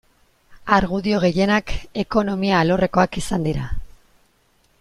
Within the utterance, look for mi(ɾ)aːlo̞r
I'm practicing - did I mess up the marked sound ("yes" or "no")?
yes